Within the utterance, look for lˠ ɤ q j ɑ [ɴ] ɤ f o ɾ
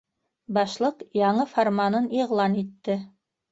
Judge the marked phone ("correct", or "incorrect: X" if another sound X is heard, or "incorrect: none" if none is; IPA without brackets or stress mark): correct